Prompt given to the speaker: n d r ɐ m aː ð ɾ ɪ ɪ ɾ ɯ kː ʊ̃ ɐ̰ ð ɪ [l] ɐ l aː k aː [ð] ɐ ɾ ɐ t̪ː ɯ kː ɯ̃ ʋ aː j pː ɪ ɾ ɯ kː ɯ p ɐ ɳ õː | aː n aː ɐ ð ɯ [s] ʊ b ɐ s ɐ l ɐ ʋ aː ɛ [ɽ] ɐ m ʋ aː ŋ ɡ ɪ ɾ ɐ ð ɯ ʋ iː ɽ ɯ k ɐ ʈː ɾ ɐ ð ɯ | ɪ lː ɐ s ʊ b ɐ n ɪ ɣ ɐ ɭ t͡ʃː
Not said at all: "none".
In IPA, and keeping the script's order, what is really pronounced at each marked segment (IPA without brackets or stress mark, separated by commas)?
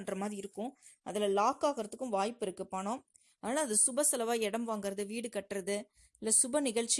l, ɣ, s, ɽ